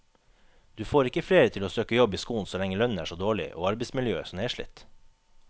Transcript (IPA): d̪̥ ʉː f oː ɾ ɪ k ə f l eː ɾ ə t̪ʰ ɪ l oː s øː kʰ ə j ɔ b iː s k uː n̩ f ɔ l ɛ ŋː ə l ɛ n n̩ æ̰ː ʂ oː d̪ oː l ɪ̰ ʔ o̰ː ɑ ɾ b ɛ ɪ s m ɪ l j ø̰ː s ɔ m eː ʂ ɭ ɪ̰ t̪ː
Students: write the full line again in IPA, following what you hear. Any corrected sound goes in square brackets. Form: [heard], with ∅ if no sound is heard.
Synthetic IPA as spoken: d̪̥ ʉː f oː ɾ ɪ k ə f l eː ɾ ə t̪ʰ ɪ l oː s øː [k] ə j ɔ b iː s k uː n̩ [s] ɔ l ɛ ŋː ə l [œ] n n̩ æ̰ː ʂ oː d̪ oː [ɭ] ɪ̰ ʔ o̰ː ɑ ɾ b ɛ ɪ s m ɪ l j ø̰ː s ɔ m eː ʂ ɭ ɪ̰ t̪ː